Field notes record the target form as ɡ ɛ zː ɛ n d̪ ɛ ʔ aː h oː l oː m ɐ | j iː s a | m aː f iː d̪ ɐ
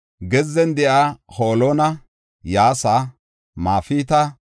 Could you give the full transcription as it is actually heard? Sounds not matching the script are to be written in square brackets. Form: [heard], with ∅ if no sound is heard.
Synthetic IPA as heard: ɡ ɛ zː ɛ n d̪ ɛ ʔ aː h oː l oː [n] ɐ | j [aː] s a | m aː f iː [t̪] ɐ